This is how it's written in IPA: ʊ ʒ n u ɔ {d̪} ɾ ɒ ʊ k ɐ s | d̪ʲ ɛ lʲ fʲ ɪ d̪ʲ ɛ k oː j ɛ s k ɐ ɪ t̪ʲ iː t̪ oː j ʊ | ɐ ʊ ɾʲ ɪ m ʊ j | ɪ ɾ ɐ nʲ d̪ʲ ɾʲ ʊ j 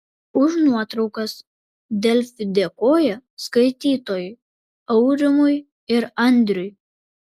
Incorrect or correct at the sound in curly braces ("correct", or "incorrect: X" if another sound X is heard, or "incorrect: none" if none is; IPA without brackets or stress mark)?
incorrect: t̪